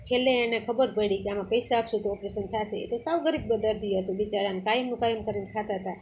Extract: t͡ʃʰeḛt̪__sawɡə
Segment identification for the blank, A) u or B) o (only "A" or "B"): B